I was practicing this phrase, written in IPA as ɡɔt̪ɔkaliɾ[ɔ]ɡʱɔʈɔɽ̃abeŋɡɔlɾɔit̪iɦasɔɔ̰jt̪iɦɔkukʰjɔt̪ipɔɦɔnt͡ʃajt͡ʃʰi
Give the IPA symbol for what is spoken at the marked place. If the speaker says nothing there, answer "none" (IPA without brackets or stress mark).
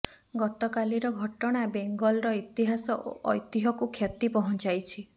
ɔ